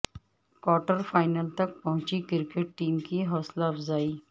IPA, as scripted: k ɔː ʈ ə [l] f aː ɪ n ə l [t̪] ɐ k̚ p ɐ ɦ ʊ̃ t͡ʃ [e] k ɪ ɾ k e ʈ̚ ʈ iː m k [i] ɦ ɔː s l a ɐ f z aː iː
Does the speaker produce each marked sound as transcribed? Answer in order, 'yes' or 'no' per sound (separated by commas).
no, yes, no, yes